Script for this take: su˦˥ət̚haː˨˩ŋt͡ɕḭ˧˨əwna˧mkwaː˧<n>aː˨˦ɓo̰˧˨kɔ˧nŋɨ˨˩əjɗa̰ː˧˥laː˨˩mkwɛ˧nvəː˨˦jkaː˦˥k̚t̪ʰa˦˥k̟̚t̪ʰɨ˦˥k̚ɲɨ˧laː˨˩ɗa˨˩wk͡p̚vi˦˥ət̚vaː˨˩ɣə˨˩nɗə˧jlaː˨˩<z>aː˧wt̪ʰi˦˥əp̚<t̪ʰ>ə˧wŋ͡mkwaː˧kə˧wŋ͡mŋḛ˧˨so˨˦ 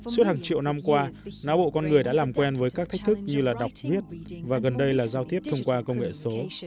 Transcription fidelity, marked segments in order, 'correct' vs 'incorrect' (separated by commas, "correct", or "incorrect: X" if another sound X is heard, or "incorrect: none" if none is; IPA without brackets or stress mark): correct, correct, correct